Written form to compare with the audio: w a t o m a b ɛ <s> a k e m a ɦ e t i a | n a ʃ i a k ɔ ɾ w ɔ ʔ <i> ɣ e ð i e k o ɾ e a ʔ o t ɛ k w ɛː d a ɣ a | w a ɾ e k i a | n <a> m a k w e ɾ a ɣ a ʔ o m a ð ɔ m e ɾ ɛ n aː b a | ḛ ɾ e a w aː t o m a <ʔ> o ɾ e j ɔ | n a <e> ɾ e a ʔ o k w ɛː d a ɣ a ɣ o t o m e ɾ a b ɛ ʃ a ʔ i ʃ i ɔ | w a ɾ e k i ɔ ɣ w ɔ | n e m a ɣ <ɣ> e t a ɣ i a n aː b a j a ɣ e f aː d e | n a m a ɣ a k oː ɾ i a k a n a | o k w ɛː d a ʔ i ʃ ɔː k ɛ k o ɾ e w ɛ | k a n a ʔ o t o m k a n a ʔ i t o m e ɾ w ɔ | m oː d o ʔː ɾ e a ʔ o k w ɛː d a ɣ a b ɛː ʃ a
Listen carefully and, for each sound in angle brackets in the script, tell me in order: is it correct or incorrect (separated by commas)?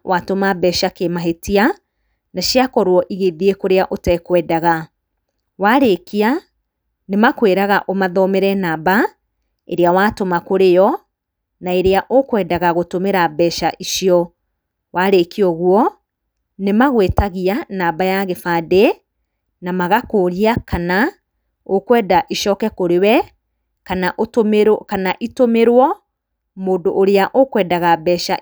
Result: incorrect, correct, incorrect, incorrect, correct, incorrect